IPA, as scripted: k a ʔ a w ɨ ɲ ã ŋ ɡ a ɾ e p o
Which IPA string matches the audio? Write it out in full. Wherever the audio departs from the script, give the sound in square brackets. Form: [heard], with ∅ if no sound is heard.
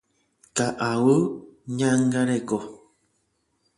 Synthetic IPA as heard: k a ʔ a w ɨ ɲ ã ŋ ɡ a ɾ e [k] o